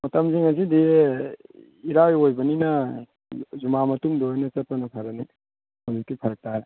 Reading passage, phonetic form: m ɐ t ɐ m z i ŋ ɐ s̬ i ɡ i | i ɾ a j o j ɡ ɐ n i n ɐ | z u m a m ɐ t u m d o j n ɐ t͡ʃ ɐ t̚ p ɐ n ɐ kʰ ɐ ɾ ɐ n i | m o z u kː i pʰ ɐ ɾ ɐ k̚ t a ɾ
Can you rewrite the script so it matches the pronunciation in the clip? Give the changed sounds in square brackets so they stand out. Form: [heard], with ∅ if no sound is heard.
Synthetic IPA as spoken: m ɐ t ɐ m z i ŋ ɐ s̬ i [d] i | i ɾ a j o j [b] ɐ n i n ɐ | z u m a m ɐ t u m d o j n ɐ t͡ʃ ɐ t̚ p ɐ n ɐ [pʰ] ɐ ɾ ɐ n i | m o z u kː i pʰ ɐ ɾ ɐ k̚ t a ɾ